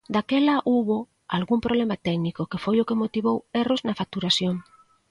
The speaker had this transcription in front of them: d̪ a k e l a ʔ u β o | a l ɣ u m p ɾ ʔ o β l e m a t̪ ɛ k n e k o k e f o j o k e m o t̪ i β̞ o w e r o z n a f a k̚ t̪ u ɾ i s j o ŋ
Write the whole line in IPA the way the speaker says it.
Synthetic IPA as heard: d̪ a k e l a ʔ u β o | a l ɣ u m p ɾ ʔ o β l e m a t̪ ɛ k n i k o k e f o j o k e m o t̪ i β̞ o w e r o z n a f a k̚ t̪ u ɾ a s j o ŋ

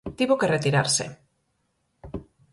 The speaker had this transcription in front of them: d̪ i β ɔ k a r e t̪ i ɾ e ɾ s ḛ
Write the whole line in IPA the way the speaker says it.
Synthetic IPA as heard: t̪ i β o k e r e t̪ i ɾ a ɾ s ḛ

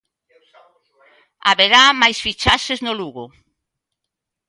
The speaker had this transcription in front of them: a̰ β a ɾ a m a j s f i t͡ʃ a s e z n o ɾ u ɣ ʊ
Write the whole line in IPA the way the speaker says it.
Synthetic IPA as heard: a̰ β e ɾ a m a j s f i t͡ʃ a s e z n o l u ɣ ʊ

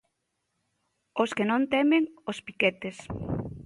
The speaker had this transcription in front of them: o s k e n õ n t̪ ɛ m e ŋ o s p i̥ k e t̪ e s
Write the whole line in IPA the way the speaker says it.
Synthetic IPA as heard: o s k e n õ n t̪ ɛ m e ŋ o s p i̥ k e t̪ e s

